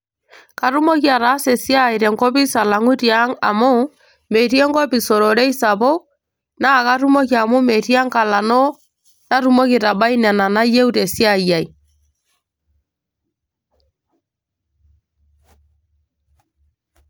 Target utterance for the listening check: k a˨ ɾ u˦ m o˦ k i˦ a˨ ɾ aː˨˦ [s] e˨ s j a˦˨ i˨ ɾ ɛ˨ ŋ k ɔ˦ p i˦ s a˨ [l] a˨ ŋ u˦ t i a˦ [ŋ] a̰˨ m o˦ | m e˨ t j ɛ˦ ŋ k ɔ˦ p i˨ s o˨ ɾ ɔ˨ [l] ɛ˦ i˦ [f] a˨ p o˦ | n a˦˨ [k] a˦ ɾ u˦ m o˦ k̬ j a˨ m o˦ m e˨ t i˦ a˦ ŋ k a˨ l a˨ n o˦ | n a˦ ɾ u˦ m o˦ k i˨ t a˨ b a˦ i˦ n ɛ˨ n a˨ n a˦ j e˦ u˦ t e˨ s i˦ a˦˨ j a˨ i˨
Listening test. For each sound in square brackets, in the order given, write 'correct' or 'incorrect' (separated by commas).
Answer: correct, correct, correct, incorrect, incorrect, correct